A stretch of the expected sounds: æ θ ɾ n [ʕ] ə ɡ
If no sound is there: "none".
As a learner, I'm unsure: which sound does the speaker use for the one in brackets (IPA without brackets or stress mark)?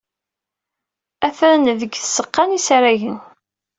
ð